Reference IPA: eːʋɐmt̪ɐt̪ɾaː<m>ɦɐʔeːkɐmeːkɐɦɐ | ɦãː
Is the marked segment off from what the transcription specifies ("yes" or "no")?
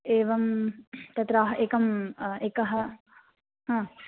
yes